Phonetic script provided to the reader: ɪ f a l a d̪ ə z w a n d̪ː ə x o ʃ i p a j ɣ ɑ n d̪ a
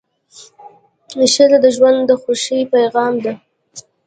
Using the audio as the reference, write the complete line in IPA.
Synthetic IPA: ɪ ʃ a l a d̪ ə ʒ w a n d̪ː ə x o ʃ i p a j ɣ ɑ m d̪ a